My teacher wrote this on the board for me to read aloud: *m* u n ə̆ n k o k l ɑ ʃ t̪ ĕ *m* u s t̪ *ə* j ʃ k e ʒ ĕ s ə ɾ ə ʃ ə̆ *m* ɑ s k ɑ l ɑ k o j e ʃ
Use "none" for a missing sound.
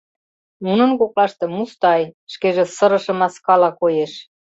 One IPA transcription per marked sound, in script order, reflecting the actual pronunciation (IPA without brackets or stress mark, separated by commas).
n, m, ɑ, m